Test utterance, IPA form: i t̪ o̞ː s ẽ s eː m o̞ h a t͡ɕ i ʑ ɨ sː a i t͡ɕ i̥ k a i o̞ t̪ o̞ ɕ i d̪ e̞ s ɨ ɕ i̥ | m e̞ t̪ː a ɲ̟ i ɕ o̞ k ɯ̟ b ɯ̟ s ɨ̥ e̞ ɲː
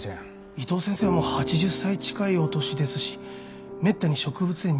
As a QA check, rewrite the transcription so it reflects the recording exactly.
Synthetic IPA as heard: i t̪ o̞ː s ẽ s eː m o̞ h a t͡ɕ i ʑ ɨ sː a i t͡ɕ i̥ k a i o̞ t̪ o̞ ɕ i d̪ e̞ s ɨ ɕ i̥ | m e̞ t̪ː a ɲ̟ i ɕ o̞ k ɯ̟ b ɯ̟ t͡s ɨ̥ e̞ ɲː

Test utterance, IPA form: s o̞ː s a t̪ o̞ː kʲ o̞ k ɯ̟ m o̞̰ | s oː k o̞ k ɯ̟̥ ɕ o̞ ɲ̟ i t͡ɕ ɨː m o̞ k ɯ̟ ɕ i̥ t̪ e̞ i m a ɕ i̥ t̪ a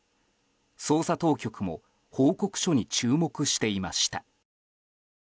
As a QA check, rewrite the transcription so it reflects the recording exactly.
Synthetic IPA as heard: s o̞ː s a t̪ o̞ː kʲ o̞ k ɯ̟ m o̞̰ | h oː k o̞ k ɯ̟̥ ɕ o̞ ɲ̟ i t͡ɕ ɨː m o̞ k ɯ̟ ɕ i̥ t̪ e̞ i m a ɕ i̥ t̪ a

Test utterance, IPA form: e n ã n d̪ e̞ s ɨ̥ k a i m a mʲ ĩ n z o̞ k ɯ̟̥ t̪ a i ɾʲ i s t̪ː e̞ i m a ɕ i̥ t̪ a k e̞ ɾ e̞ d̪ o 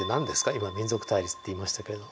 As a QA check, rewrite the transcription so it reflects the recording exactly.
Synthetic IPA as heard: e n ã n d̪ e̞ s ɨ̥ k a i m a mʲ ĩ n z o̞ k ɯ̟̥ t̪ a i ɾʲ i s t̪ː e̞ i m a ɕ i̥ t̪ a k e̞ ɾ e̞ d̪ o

